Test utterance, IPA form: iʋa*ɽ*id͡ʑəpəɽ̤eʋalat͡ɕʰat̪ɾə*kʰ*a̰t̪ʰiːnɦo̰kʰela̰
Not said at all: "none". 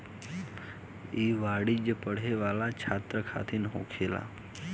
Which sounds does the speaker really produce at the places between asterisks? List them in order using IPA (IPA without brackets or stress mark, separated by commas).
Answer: ɽ, kʰ